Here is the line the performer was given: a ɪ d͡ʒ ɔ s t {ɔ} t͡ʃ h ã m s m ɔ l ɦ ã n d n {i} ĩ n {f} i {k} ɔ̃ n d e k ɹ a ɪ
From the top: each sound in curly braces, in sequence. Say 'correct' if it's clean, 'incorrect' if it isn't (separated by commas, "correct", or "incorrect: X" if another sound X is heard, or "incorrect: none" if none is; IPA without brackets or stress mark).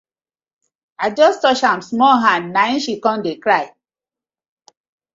correct, incorrect: a, incorrect: ʃ, correct